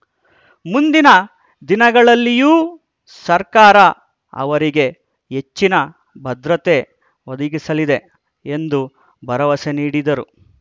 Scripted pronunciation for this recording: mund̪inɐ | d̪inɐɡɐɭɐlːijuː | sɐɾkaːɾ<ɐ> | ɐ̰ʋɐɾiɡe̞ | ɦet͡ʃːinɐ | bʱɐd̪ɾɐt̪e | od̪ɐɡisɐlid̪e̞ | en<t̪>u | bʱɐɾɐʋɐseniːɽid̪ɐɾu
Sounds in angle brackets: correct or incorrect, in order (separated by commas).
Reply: correct, incorrect